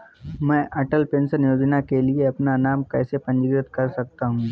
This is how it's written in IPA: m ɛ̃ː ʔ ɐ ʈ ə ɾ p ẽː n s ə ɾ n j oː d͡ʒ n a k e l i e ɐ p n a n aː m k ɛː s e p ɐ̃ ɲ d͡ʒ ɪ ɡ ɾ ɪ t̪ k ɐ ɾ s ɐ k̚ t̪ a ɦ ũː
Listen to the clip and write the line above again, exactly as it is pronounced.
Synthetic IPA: m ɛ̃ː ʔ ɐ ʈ ə l p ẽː n s ə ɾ n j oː d͡ʒ n a k e l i e ɐ p n a n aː m k ɛː s e p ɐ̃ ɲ d͡ʒ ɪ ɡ ɾ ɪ t̪ k ɐ ɾ s ɐ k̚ t̪ a ɦ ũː